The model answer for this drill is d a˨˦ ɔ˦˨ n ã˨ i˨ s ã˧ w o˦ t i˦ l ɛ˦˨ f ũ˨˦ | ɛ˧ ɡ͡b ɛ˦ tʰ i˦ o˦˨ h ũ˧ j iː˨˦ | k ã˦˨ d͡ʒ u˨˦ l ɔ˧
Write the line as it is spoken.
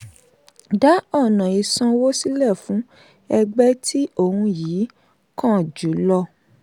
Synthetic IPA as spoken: d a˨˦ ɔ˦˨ n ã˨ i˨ s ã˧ w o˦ s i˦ l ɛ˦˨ f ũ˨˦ | ɛ˧ ɡ͡b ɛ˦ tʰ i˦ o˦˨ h ũ˧ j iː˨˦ | k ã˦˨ d͡ʒ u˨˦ l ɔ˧